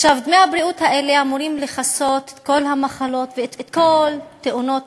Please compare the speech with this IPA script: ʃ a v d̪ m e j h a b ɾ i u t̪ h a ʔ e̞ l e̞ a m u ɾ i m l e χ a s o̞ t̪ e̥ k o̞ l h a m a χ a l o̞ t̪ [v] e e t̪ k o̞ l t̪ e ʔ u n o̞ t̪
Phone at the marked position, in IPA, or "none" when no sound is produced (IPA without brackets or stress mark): v